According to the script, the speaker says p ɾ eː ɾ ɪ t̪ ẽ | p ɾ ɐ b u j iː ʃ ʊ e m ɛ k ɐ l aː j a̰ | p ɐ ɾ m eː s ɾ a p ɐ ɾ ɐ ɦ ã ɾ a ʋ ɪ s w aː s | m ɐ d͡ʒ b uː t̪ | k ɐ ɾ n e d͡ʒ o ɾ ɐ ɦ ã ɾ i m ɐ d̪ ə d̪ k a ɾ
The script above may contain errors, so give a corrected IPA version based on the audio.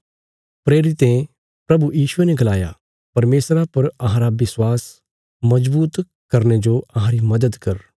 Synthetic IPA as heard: p ɾ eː ɾ ɪ t̪ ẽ | p ɾ ɐ b u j iː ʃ ʊ e n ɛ ɡ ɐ l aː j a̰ | p ɐ ɾ m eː s ɾ a p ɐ ɾ ɐ ɦ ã ɾ a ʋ ɪ s w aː s | m ɐ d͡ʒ b uː t̪ | k ɐ ɾ n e d͡ʒ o ɐ ɦ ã ɾ i m ɐ d̪ ə d̪ k ɐ ɾ